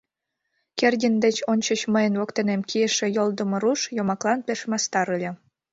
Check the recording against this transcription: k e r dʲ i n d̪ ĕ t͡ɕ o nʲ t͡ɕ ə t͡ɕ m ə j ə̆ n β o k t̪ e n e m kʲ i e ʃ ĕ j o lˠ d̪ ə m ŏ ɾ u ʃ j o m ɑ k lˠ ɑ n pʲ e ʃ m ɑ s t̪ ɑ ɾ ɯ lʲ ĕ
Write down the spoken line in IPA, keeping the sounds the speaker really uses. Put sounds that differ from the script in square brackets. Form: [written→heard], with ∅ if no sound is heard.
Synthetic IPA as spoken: k e r dʲ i n d̪ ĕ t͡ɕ o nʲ t͡ɕ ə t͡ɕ m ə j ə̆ n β o k t̪ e n e m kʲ i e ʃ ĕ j o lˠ d̪ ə m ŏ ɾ u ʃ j o m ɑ k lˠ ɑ n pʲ e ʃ m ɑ s t̪ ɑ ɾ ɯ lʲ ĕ